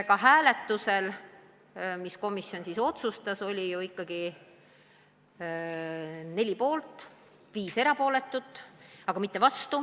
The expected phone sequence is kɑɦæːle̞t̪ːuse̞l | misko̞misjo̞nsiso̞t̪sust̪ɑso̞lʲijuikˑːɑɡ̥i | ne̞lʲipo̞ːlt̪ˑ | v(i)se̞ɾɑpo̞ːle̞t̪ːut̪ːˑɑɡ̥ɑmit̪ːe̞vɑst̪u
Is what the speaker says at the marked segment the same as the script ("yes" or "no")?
no